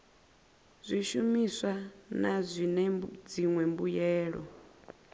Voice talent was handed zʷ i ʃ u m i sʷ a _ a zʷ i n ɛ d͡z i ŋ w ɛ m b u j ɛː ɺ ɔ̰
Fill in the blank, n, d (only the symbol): n